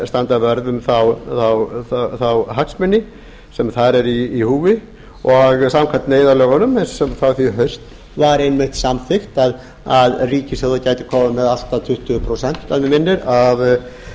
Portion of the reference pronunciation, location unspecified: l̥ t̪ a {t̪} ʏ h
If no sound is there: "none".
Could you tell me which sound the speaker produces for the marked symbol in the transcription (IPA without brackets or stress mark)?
t̪ʰ